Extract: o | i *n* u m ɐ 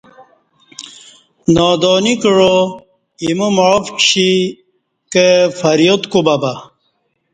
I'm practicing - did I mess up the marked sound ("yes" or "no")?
yes